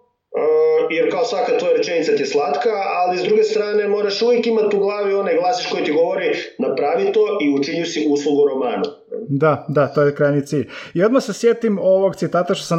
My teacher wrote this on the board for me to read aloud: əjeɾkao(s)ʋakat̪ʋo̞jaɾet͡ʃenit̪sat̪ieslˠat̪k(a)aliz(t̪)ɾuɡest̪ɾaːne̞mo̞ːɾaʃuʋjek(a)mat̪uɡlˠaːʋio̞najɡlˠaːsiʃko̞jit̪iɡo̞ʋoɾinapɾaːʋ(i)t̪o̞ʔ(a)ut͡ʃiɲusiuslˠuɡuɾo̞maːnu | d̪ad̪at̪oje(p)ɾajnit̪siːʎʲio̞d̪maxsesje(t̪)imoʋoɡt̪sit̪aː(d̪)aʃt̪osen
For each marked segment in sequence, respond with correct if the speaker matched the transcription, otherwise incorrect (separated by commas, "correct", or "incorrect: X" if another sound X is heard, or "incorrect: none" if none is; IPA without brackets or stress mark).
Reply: correct, correct, incorrect: d̪, incorrect: i, correct, incorrect: i, incorrect: k, correct, incorrect: t̪